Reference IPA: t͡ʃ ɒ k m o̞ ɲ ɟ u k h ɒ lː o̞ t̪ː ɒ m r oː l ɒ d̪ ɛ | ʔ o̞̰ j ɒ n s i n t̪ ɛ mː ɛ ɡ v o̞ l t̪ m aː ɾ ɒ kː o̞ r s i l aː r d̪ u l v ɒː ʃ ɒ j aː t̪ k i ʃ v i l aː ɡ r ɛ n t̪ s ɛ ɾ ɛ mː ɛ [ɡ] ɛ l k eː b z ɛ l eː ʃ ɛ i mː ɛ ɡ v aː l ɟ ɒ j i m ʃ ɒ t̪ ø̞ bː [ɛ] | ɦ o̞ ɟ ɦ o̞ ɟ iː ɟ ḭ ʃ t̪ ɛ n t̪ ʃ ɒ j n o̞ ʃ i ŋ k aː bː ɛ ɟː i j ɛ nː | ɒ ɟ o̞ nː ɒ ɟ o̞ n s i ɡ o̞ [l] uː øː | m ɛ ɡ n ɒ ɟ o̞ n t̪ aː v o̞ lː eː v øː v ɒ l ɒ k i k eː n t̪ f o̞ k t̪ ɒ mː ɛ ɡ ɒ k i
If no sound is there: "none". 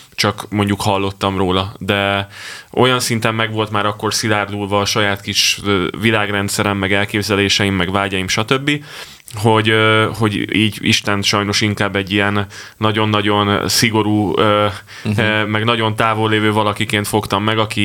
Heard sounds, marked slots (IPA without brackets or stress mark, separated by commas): ɡ, i, ɾ